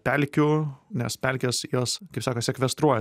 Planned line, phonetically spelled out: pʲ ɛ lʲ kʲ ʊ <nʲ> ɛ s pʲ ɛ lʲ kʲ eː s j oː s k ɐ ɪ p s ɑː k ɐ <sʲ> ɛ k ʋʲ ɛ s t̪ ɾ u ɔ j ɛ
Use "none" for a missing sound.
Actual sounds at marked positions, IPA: nʲ, sʲ

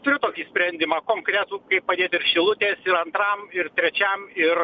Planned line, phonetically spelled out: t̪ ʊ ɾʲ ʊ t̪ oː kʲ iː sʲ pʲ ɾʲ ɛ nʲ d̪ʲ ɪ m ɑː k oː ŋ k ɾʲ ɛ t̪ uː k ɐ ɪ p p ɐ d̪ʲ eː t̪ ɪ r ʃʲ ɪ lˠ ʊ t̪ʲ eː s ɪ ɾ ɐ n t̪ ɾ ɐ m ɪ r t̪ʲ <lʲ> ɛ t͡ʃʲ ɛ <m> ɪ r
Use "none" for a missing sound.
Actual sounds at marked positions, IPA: ɾʲ, m

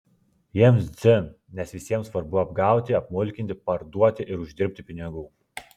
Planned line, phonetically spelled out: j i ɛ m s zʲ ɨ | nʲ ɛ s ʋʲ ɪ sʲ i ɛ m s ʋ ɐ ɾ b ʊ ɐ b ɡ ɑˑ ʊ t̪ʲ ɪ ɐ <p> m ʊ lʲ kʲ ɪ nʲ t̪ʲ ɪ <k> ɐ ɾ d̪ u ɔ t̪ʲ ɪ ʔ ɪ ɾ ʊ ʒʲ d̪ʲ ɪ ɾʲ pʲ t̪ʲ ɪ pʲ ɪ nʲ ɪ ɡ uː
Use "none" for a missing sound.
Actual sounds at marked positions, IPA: p, p

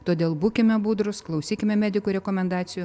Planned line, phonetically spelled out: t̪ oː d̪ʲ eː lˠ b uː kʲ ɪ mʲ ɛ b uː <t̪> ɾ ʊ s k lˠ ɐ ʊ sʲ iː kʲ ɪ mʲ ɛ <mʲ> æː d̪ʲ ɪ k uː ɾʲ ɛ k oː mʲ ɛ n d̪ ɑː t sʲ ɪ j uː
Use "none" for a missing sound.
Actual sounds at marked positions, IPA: d̪, mʲ

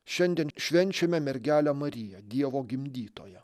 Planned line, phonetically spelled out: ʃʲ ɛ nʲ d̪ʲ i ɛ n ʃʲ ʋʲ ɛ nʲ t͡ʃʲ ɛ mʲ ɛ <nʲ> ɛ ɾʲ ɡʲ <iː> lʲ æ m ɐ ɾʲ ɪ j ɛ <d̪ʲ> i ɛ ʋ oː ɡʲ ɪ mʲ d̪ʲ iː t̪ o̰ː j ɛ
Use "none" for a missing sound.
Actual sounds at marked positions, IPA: mʲ, æː, d̪ʲ

